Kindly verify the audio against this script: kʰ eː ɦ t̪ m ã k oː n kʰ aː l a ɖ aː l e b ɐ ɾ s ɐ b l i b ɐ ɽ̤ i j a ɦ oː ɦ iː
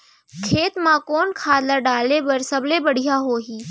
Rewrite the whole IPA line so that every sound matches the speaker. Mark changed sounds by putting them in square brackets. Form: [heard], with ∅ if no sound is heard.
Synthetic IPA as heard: kʰ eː [∅] t̪ m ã k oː n kʰ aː l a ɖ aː l e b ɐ ɾ s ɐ b l [e] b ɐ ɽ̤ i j a ɦ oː ɦ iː